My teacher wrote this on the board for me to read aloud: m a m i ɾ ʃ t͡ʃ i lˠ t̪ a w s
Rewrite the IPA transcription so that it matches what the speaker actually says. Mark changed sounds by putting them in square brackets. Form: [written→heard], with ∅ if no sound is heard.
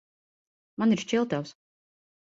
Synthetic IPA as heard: m a [m→n] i ɾ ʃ t͡ʃ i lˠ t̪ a w s